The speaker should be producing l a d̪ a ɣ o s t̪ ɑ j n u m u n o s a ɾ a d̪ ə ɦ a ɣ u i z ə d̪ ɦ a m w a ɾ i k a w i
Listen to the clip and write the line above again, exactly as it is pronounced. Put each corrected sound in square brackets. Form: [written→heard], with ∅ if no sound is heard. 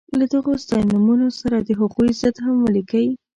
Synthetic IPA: l a d̪ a ɣ o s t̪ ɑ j n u m u n o s a ɾ a d̪ ə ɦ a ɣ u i z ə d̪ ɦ a m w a [ɾ→l] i k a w i